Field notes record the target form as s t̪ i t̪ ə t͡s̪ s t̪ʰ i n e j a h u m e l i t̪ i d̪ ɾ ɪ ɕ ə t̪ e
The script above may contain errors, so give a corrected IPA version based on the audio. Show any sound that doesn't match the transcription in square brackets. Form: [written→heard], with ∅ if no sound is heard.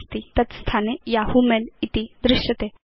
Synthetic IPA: s t̪ i t̪ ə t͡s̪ s t̪ʰ [i→a] n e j a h u m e l i t̪ i d̪ ɾ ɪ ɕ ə t̪ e